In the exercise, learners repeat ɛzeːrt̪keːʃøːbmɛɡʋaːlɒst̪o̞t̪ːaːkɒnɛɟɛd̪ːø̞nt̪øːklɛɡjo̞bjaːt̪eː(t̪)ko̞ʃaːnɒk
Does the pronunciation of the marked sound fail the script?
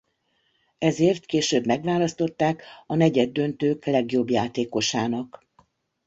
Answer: yes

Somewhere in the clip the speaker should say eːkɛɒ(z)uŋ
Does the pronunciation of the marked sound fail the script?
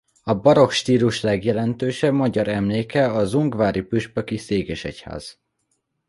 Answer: no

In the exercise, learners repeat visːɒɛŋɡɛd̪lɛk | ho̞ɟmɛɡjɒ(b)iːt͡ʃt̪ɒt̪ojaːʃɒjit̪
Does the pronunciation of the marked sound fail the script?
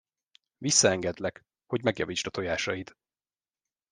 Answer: yes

